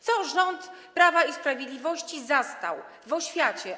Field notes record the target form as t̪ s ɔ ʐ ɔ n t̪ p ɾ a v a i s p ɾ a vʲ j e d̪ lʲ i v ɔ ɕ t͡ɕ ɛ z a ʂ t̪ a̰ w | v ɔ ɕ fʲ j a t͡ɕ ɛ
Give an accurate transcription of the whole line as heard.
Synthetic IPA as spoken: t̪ s ɔ ʐ ɔ n t̪ p ɾ a v a i s p ɾ a vʲ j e d̪ lʲ i v ɔ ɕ t͡ɕ i z a s t̪ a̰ w | v ɔ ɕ fʲ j a t͡ɕ ɛ